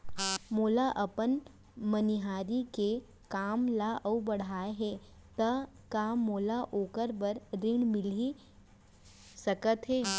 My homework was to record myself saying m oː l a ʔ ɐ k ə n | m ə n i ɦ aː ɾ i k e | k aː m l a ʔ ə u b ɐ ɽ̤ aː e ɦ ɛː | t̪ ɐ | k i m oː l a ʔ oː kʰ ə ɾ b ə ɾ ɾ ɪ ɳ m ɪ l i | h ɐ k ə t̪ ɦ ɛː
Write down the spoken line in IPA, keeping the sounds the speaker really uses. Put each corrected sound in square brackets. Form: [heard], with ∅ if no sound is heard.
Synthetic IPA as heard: m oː l a ʔ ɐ [p] ə n | m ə n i ɦ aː ɾ i k e | k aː m l a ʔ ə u b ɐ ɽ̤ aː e ɦ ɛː | t̪ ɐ | k [a] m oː l a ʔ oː [k] ə ɾ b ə ɾ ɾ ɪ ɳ m ɪ l i | [s] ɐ k ə t̪ ɦ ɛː